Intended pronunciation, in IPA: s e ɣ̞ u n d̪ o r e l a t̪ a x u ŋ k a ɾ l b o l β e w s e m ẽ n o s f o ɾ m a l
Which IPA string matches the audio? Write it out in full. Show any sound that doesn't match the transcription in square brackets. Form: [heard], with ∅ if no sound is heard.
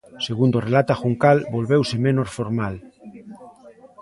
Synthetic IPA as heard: s e ɣ̞ u n d̪ o r e l a t̪ a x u ŋ k a [∅] l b o l β e w s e m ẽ n o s f o ɾ m a l